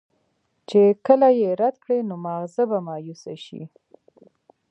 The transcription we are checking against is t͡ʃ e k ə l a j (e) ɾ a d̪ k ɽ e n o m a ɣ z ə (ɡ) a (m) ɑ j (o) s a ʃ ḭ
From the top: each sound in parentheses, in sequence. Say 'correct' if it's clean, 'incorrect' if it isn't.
correct, incorrect, correct, incorrect

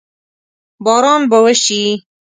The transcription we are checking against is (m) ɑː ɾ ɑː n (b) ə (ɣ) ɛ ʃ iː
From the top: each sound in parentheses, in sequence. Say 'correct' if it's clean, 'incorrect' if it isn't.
incorrect, correct, incorrect

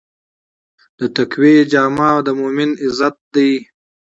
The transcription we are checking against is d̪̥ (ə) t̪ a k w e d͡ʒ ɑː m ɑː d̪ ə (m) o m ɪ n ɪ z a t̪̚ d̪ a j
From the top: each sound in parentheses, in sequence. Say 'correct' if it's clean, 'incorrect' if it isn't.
correct, correct

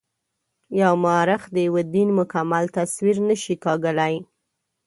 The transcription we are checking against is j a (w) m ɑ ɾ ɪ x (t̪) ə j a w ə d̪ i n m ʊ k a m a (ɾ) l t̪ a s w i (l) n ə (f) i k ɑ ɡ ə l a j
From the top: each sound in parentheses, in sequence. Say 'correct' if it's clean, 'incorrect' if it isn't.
correct, incorrect, incorrect, incorrect, incorrect

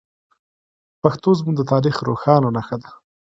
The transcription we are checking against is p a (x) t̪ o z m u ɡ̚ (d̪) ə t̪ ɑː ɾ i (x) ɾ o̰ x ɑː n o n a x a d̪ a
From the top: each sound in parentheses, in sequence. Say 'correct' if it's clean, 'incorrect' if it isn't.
correct, correct, correct

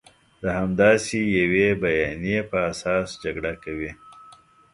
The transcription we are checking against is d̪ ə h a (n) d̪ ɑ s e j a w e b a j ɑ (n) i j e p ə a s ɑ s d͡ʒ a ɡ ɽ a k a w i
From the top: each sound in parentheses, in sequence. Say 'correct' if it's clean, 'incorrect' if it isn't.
incorrect, correct

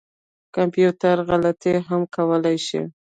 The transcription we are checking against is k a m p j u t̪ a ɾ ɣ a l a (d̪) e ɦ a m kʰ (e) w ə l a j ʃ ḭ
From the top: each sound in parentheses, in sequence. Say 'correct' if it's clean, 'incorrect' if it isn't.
incorrect, incorrect

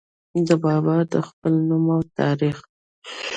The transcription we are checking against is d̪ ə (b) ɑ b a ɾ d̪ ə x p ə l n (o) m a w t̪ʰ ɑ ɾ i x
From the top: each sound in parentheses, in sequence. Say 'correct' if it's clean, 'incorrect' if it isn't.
correct, incorrect

